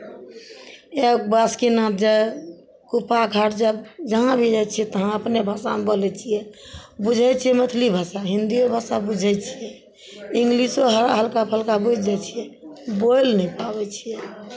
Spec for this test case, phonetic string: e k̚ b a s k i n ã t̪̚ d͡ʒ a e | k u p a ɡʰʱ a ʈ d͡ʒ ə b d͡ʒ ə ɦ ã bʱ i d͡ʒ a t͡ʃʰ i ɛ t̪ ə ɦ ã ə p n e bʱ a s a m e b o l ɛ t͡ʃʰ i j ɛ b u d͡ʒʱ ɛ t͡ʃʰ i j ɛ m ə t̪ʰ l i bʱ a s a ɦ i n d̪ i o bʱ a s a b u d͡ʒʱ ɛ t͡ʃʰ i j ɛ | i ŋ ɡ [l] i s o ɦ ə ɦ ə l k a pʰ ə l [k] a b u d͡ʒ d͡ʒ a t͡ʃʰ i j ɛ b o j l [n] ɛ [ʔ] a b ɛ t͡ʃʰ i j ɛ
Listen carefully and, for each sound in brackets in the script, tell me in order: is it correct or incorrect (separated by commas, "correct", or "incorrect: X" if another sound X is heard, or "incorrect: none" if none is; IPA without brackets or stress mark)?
correct, correct, correct, incorrect: p